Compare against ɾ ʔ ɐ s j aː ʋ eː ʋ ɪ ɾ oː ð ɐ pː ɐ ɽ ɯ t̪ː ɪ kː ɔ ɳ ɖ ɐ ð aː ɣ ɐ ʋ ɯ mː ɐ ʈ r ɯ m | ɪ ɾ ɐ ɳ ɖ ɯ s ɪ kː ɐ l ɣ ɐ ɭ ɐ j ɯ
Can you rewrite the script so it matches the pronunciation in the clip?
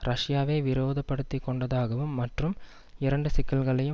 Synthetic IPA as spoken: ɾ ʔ ɐ ʂ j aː ʋ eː ʋ ɪ ɾ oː ð ɐ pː ɐ ɽ ɯ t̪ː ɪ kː ɔ ɳ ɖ ɐ ð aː ɣ ɐ ʋ ɯ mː ɐ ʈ r ɯ m | ɪ ɾ ɐ ɳ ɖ ɯ s ɪ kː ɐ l ɣ ɐ ɭ ɐ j ɯ